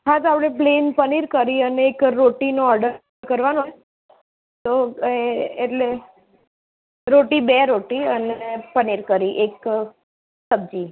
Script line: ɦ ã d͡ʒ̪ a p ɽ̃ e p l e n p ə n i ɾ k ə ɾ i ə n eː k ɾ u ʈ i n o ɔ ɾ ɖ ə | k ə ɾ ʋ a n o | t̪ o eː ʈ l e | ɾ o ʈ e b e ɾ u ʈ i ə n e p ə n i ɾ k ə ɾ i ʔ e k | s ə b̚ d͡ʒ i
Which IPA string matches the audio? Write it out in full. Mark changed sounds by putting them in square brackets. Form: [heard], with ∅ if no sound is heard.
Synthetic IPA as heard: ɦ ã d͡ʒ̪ a p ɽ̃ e p l e n p ə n i ɾ k ə ɾ i ə n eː k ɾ [o] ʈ i n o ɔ ɾ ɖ ə | k ə ɾ ʋ a n o | t̪ o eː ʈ l e | ɾ o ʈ [i] b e ɾ [o] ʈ i ə n e p ə n i ɾ k ə ɾ i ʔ e k | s ə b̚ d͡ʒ i